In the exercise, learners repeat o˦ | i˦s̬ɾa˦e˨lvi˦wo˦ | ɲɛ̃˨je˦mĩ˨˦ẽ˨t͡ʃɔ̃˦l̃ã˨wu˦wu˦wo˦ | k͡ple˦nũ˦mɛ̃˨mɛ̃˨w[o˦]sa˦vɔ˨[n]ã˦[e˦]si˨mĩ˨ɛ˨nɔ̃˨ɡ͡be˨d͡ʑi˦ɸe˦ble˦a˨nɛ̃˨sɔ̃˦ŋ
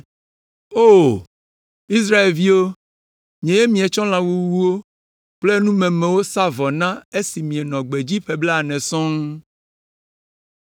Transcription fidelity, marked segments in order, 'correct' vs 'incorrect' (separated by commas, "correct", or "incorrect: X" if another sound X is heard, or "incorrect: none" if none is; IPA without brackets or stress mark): correct, correct, correct